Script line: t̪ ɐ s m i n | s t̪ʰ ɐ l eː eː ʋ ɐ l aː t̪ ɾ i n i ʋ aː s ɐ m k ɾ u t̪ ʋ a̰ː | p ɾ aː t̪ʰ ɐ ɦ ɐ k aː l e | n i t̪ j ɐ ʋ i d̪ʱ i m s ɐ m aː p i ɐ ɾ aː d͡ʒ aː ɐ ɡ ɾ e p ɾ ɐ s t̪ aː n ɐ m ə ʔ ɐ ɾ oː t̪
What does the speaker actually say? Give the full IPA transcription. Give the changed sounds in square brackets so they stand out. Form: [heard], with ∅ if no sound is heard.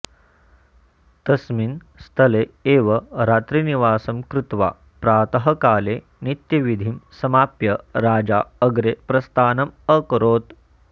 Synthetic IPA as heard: t̪ ɐ s m i n | s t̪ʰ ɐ l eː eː ʋ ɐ [ɾ] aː t̪ ɾ i n i ʋ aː s ɐ m k ɾ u t̪ ʋ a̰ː | p ɾ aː [t̪] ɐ ɦ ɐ k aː l e | n i t̪ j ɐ ʋ i d̪ʱ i m s ɐ m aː p [j] ɐ ɾ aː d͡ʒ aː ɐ ɡ ɾ e p ɾ ɐ s t̪ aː n ɐ m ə [k] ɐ ɾ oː t̪

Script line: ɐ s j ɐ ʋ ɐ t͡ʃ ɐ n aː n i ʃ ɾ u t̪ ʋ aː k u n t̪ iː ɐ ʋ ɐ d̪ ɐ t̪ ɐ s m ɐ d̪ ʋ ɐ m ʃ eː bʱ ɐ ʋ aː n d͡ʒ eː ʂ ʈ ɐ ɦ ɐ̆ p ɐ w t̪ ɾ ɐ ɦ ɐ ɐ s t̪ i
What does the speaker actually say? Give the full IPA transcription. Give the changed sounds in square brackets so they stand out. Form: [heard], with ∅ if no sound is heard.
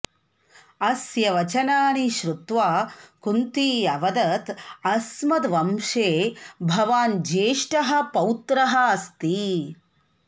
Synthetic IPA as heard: ɐ s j ɐ ʋ ɐ t͡ʃ ɐ n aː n i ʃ ɾ u t̪ ʋ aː k u n t̪ iː ɐ ʋ ɐ d̪ ɐ t̪ ɐ s m ɐ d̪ ʋ ɐ m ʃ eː bʱ ɐ ʋ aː n d͡ʒ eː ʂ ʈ ɐ ɦ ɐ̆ p ɐ w t̪ ɾ ɐ ɦ ɐ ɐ s t̪ i

